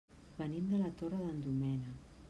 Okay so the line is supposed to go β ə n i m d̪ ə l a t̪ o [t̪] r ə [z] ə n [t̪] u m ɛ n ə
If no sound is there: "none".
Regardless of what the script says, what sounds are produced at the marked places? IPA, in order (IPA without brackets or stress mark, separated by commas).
none, ð, d̪